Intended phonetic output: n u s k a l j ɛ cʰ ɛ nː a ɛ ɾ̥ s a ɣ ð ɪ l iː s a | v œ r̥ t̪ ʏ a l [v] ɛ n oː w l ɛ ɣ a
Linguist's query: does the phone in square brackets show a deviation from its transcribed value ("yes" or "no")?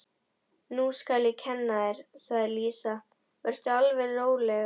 no